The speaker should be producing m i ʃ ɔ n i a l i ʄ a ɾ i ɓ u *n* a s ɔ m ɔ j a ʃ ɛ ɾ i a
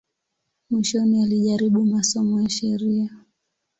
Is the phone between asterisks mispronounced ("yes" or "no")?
yes